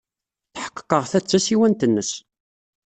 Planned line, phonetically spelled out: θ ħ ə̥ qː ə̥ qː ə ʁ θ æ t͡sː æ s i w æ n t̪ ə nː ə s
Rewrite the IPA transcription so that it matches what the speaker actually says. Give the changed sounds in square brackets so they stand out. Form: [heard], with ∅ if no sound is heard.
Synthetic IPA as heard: θ ħ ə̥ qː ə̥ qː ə ʁ θ æ t͡sː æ s i w æ n t̪ ə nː ə s